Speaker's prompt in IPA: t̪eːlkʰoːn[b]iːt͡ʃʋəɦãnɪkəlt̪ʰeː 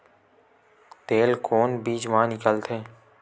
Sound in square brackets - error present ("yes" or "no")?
no